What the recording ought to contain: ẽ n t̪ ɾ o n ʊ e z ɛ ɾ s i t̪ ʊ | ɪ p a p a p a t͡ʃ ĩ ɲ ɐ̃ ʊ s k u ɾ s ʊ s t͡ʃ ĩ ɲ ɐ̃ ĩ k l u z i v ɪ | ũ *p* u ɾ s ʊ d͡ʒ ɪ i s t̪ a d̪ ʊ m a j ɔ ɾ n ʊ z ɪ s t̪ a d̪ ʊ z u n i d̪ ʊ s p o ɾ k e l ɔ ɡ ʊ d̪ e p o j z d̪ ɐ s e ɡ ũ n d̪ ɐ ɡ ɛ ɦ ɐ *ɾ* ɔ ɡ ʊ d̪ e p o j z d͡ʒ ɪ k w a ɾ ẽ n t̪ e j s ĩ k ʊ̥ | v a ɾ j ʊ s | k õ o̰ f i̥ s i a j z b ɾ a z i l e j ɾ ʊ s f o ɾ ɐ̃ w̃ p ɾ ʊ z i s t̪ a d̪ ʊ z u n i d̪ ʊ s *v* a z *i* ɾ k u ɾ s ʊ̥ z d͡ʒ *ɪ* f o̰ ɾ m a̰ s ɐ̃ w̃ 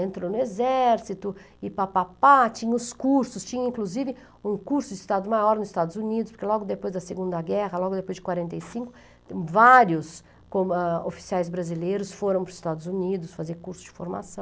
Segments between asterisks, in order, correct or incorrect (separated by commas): incorrect, incorrect, incorrect, incorrect, correct